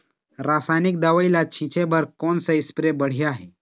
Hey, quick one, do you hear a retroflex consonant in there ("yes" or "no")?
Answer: yes